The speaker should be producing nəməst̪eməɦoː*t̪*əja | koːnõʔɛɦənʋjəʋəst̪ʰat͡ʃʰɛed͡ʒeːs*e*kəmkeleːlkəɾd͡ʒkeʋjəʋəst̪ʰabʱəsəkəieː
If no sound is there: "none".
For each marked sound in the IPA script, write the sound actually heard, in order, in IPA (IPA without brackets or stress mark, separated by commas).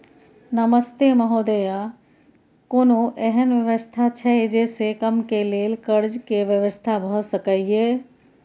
d̪, e